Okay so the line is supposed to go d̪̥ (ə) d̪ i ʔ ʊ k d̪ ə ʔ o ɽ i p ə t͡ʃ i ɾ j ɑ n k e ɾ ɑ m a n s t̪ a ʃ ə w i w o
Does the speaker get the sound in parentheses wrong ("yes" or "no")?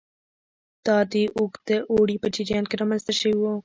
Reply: yes